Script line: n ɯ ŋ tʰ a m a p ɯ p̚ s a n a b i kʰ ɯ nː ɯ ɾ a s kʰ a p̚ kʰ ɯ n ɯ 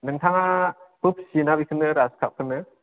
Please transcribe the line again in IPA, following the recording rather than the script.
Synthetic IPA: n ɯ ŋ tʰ a ŋ a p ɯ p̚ s i n a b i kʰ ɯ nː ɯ ɾ a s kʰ a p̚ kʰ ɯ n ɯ